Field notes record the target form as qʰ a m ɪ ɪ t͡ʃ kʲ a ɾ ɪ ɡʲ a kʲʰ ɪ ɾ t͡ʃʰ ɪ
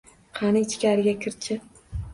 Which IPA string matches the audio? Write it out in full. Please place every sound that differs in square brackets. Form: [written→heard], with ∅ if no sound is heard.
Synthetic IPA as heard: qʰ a [m→n] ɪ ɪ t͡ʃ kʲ a ɾ ɪ ɡʲ a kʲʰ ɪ ɾ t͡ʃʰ ɪ